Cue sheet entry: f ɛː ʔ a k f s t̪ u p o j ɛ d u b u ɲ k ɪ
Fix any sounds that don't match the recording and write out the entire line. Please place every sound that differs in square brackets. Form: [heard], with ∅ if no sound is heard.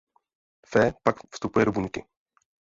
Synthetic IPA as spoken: f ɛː [p] a k f s t̪ u p [u] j ɛ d [o] b u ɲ k ɪ